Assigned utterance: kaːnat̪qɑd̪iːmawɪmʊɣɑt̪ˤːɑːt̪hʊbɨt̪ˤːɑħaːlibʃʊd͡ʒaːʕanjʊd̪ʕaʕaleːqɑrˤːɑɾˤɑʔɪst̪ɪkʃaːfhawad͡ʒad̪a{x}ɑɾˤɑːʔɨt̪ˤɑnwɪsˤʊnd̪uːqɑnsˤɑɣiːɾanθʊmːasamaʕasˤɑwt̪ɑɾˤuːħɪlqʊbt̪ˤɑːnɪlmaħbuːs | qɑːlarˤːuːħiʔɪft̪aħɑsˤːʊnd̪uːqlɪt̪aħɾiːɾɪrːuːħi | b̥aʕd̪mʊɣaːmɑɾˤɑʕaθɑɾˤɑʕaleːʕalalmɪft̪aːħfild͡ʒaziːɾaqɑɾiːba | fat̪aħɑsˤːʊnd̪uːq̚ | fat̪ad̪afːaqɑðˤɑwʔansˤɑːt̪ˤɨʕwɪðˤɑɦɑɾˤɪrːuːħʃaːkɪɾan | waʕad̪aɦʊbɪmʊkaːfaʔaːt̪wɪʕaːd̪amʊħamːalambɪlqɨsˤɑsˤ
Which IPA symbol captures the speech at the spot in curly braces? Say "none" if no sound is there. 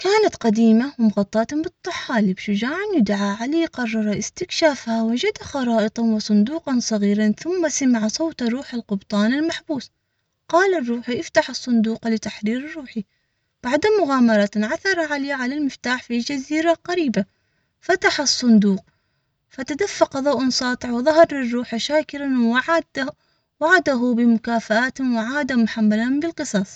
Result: x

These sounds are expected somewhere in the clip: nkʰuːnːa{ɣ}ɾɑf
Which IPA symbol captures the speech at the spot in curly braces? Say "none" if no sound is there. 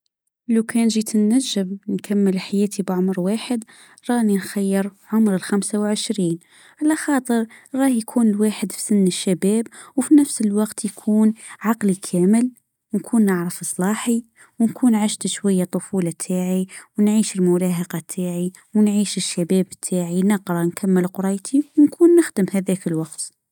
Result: ʕ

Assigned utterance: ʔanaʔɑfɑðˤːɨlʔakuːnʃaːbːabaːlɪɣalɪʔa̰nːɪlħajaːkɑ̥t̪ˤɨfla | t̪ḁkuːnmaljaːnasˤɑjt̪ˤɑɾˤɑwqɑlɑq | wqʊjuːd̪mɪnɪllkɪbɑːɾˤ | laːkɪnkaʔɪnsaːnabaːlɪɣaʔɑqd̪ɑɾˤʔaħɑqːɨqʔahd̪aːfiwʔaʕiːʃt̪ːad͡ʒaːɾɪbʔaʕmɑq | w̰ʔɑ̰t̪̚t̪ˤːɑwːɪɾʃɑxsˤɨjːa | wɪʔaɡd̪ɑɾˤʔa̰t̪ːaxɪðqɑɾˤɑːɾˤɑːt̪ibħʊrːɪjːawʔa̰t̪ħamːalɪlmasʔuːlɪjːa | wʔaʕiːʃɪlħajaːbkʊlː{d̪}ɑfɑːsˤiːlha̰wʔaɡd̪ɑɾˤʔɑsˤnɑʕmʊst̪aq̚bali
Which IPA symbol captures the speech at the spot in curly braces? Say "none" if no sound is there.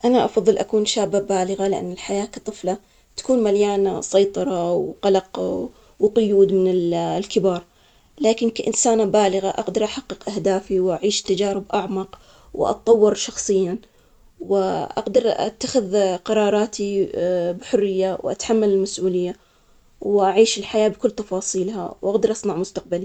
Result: t̪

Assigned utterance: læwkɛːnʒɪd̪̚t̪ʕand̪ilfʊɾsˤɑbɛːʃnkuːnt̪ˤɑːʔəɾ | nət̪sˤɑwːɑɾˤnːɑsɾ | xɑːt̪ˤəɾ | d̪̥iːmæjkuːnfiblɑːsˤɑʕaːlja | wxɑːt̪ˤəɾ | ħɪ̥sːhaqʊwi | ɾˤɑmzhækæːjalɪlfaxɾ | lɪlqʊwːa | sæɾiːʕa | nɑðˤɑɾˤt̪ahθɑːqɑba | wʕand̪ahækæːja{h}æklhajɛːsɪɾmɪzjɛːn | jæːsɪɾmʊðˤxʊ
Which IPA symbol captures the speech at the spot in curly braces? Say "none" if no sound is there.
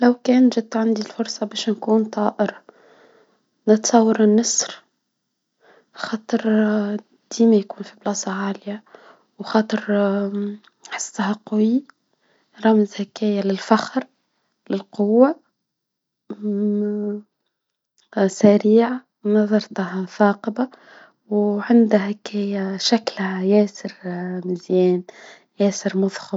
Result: ʃ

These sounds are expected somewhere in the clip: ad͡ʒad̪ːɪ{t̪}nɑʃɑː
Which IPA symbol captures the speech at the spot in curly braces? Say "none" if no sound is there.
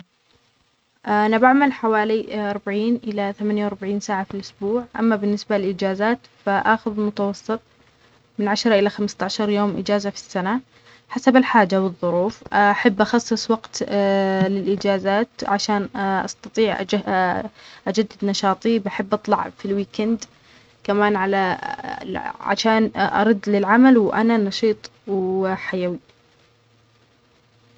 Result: d̪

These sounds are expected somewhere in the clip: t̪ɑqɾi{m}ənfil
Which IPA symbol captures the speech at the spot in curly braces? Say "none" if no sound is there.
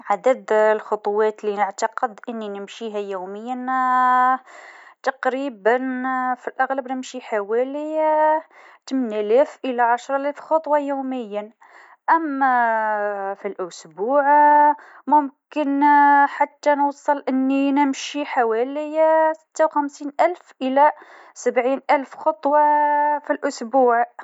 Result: b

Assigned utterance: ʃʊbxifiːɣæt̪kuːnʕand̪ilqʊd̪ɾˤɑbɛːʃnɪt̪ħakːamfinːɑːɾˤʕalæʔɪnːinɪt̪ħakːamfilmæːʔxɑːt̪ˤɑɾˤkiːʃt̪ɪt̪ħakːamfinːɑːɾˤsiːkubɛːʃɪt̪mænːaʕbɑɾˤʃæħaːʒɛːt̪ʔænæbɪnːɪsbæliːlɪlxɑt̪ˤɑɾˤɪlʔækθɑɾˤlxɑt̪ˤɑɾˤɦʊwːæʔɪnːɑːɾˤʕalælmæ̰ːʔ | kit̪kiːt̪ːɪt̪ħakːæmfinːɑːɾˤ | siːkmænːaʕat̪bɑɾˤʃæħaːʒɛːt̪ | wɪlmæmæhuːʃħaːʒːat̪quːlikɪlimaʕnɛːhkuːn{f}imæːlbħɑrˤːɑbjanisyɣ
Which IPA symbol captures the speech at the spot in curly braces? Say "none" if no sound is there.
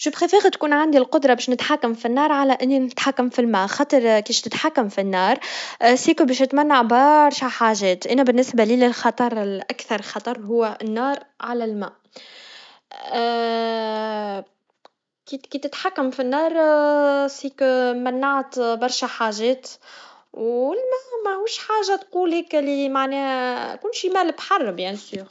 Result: ʃ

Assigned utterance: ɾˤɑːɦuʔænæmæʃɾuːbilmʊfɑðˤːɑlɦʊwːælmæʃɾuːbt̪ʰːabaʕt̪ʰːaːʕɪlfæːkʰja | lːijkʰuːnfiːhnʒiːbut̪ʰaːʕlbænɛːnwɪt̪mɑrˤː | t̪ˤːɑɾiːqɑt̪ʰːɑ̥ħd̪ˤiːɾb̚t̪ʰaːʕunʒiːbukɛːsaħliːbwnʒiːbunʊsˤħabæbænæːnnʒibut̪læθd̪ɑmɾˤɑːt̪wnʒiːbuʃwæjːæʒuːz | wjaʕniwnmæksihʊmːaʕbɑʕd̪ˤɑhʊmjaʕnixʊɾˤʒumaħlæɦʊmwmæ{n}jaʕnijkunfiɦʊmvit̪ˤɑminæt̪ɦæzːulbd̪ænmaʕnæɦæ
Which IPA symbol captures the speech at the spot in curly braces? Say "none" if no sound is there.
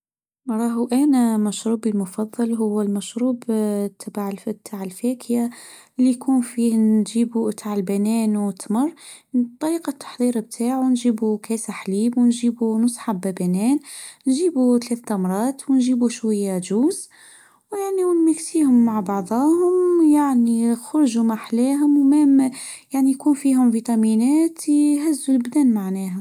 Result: m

